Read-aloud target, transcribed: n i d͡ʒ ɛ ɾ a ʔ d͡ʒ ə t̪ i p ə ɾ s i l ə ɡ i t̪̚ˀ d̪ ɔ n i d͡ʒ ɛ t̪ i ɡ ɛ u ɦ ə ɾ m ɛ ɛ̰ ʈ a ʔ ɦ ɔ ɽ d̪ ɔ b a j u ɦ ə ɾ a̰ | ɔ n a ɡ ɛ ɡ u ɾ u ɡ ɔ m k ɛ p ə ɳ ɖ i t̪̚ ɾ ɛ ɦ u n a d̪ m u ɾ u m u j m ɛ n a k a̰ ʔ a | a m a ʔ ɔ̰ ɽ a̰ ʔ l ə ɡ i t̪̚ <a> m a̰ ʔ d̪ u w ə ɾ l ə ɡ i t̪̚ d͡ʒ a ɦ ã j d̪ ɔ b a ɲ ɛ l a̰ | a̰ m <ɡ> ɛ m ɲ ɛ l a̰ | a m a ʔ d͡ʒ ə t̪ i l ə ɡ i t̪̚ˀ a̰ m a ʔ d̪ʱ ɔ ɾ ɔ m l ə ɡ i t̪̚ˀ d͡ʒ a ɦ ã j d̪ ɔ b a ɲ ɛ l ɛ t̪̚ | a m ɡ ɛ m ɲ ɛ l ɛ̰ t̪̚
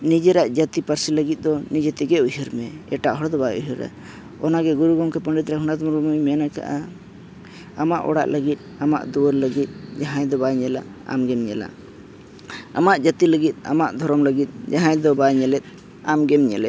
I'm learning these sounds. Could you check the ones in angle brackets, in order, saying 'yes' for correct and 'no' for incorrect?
yes, yes

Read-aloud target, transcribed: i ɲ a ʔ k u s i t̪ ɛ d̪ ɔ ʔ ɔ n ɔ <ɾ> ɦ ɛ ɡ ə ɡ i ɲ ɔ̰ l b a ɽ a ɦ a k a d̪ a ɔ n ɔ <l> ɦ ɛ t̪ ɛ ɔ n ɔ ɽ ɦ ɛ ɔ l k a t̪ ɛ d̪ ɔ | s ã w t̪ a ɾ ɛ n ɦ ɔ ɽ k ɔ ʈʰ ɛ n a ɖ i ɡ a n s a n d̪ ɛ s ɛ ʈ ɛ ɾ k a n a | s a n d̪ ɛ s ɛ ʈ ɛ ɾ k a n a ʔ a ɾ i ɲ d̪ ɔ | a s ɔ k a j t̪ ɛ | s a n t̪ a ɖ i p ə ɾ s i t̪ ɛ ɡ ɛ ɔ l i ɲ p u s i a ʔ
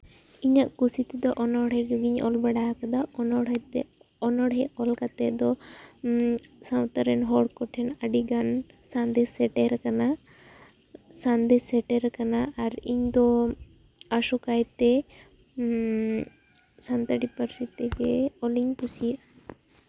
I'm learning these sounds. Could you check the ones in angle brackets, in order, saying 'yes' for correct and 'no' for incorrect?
no, no

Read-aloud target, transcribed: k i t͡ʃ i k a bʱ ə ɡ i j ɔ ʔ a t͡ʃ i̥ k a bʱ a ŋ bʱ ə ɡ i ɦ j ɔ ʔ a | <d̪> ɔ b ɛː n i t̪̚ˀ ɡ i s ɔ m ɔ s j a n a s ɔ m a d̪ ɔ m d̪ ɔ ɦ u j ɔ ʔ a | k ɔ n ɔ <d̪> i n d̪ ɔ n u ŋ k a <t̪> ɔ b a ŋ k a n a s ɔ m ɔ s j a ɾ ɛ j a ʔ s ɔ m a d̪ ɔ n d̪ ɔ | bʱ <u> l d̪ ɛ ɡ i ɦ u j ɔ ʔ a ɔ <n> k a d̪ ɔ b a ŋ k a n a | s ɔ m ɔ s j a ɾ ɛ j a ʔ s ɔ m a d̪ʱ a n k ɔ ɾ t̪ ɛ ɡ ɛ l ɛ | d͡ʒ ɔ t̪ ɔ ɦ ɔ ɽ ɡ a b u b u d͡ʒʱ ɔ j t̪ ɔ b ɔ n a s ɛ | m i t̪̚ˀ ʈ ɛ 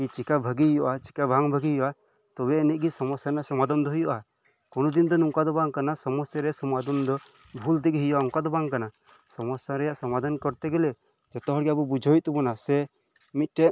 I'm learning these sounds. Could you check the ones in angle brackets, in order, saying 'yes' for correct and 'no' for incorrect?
no, yes, no, yes, no

